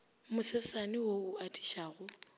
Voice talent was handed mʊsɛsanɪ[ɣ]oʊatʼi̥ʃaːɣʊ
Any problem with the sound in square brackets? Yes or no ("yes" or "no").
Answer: yes